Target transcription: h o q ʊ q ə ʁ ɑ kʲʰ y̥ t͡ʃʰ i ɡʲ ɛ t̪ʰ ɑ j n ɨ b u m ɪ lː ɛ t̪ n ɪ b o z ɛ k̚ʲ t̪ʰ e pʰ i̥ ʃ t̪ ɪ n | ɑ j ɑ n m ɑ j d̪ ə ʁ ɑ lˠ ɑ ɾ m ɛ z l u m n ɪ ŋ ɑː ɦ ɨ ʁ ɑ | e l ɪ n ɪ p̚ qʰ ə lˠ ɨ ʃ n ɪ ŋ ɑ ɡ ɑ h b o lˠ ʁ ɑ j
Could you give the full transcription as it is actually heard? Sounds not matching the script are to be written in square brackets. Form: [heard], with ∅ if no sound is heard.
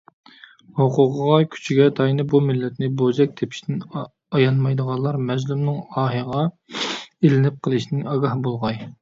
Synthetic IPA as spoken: h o q ʊ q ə ʁ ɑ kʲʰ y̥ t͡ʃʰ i ɡʲ ɛ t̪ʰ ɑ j n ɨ b u m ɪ lː ɛ t̪ n ɪ b o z ɛ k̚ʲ t̪ʰ e pʰ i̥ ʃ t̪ ɪ n | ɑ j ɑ n m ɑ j d̪ ə ʁ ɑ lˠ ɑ ɾ m ɛ z l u m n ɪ ŋ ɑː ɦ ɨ ʁ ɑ | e l ɪ n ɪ p̚ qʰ ə lˠ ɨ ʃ n ɪ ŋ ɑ ɡ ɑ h b o lˠ ʁ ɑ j